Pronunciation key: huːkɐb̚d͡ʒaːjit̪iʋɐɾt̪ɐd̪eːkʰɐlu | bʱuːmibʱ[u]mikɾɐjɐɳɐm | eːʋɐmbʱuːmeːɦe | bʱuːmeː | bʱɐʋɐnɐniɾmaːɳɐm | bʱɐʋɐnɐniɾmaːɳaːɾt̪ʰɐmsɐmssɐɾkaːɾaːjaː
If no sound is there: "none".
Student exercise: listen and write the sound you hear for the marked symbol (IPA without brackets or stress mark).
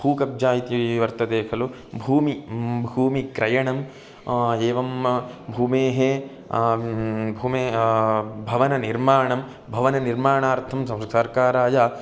uː